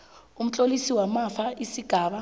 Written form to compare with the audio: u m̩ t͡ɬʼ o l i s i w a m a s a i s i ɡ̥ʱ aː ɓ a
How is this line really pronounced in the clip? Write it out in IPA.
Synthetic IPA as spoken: u m̩ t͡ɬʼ o l i s i w a m a f a i s i ɡ̥ʱ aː ɓ a